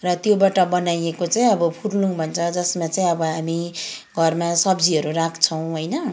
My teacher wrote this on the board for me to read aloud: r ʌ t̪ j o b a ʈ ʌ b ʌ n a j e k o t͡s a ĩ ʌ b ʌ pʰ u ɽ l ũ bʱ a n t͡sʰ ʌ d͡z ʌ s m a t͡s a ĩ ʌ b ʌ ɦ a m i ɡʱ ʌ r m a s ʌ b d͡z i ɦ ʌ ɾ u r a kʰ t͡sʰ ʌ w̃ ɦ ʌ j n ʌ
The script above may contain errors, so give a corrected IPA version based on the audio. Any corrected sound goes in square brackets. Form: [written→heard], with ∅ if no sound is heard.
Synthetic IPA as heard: r ʌ t̪ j o b a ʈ ʌ b ʌ n a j e k o t͡s a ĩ ʌ b ʌ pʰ u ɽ l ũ bʱ [a→ʌ] n t͡sʰ ʌ d͡z ʌ s m a t͡s a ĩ ʌ b ʌ ɦ a m i ɡʱ ʌ r m a s ʌ b d͡z i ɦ ʌ ɾ u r a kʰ t͡sʰ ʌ w̃ ɦ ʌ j n ʌ